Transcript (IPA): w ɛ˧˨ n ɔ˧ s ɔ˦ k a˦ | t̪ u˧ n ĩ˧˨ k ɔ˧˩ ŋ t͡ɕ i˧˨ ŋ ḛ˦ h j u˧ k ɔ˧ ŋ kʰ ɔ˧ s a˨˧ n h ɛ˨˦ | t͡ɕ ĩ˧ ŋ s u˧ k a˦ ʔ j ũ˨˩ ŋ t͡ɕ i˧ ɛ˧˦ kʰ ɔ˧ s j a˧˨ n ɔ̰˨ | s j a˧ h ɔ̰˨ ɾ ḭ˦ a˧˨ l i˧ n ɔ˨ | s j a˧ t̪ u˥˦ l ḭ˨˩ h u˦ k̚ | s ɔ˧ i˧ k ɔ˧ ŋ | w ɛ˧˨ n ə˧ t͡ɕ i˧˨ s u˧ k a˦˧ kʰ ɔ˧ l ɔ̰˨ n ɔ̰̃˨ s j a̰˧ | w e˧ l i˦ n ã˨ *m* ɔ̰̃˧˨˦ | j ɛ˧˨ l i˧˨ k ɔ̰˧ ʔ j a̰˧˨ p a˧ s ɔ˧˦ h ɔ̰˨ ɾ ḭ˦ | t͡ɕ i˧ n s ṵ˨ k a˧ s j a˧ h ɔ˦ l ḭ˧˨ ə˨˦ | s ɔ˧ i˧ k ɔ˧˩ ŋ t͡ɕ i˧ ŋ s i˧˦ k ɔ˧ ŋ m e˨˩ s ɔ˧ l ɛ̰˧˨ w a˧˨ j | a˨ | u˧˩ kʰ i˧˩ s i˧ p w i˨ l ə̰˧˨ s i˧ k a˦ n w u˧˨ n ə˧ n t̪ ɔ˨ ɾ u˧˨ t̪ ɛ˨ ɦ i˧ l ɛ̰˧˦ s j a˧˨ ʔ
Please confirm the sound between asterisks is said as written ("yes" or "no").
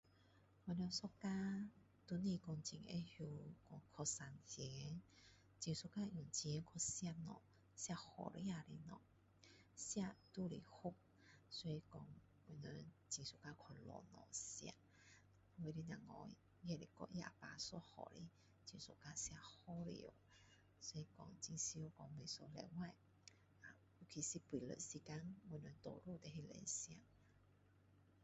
no